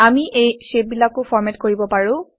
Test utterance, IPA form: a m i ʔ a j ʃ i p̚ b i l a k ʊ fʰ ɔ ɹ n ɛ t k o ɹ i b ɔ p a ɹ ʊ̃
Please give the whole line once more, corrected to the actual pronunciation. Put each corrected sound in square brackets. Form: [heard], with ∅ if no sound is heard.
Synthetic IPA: a m i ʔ [e] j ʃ [e] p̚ b i l a k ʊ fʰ ɔ ɹ [m] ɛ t k o ɹ i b ɔ p a ɹ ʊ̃